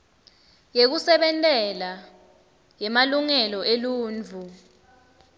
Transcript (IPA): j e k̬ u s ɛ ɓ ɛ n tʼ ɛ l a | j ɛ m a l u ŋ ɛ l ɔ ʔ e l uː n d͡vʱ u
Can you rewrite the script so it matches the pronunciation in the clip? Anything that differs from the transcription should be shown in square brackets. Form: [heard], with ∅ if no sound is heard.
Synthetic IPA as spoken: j e k̬ u s ɛ ɓ ɛ n tʼ ɛ l a | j ɛ m a l u ŋ ɛ l ɔ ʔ e l uː n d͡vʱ u